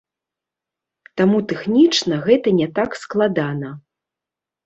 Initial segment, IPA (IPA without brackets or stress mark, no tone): t̪